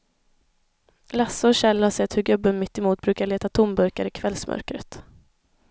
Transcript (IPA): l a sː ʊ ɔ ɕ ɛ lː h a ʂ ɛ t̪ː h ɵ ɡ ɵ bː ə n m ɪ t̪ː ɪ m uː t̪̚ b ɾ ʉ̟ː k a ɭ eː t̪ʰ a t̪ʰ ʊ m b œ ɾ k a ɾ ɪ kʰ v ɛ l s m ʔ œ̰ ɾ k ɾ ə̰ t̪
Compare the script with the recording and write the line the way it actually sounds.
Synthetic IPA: l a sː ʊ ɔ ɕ ɛ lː h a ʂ ɛ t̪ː h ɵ ɡ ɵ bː ə n m ɪ t̪ː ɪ m uː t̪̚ b ɾ ʉ̟ː k a ɭ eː t̪ a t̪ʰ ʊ m b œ ɾ k a ɾ ɪ kʰ v ɛ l s m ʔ œ̰ ɾ k ɾ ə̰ t̪